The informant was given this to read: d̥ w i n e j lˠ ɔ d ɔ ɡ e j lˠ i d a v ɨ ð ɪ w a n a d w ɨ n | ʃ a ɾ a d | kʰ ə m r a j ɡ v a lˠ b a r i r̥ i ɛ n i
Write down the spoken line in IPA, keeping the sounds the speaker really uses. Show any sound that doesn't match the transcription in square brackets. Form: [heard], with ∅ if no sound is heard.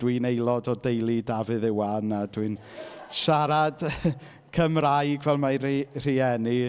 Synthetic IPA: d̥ w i n e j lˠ ɔ d ɔ [d] e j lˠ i d a v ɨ ð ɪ w a n a d w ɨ n | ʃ a ɾ a d | kʰ ə m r a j ɡ v [ɛ] lˠ [m] a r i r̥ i ɛ n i